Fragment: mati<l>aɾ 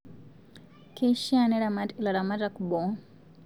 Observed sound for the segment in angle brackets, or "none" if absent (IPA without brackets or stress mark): l